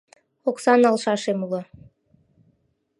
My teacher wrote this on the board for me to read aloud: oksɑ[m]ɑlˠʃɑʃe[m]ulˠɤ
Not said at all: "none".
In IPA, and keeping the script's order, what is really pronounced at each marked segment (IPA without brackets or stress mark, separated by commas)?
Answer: n, m